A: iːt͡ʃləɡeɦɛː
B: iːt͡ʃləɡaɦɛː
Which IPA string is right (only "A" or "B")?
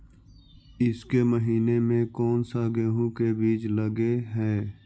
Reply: A